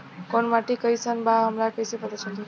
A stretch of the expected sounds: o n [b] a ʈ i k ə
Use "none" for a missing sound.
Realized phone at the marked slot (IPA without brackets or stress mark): m